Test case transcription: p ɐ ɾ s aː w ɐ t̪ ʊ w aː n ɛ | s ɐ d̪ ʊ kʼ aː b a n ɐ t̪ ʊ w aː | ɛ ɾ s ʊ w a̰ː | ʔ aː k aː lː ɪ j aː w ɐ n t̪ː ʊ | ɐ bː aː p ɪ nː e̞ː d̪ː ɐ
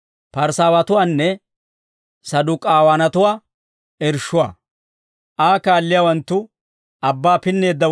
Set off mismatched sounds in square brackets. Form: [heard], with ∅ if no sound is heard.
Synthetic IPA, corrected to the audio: p ɐ ɾ s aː w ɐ t̪ ʊ w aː [nː] ɛ | s ɐ d̪ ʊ kʼ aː [w] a n ɐ t̪ ʊ w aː | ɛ ɾ [ʃ] ʊ w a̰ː | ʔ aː k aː lː ɪ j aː w ɐ n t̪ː ʊ | ɐ bː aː p ɪ nː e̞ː d̪ː ɐ